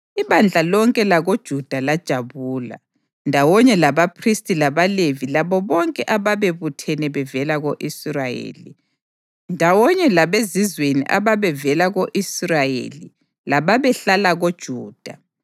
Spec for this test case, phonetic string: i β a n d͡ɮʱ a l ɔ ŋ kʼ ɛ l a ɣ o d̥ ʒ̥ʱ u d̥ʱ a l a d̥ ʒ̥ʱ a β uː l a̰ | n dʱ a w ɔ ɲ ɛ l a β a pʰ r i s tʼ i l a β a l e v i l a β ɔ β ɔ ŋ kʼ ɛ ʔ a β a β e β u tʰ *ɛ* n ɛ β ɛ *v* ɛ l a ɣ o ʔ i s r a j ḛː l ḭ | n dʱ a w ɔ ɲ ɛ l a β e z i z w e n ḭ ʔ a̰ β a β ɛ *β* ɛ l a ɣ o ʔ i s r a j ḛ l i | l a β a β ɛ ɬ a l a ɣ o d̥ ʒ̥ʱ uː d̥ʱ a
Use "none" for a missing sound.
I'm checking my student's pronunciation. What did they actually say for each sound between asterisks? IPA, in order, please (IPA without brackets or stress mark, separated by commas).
ɛ, v, v